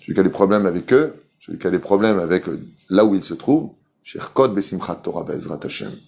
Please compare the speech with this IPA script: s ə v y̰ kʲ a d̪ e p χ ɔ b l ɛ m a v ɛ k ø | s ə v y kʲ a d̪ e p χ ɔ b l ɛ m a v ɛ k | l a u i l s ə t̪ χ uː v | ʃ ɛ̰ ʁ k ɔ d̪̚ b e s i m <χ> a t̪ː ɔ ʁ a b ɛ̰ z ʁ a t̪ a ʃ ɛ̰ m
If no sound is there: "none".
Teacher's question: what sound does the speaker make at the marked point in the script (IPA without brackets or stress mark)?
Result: χ